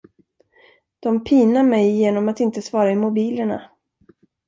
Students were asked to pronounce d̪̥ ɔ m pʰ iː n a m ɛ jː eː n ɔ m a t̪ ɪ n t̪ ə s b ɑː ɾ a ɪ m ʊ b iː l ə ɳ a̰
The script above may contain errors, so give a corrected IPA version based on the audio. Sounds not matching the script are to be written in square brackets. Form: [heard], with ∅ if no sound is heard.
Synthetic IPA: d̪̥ ɔ m pʰ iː n a m ɛ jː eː n ɔ m a t̪ ɪ n t̪ ə s [v] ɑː ɾ a ɪ m ʊ b iː l ə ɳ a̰